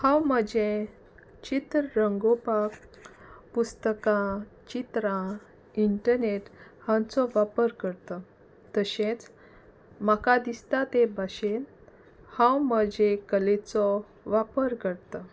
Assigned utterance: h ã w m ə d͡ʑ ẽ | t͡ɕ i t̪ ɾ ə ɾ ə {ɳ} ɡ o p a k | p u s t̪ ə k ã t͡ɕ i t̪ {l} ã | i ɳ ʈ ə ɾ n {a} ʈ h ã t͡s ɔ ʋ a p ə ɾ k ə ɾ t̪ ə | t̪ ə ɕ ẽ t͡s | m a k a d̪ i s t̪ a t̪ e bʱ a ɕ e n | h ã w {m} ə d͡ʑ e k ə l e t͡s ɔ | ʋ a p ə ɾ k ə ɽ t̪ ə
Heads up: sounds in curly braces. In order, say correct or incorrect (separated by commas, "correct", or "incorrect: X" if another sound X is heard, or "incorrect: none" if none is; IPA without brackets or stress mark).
incorrect: ŋ, incorrect: ɾ, incorrect: e, correct